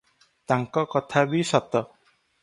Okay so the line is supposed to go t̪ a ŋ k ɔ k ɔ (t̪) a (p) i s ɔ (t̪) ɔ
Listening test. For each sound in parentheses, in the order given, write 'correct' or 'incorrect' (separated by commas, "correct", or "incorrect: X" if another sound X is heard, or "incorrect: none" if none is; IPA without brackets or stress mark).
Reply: incorrect: t̪ʰ, incorrect: b, correct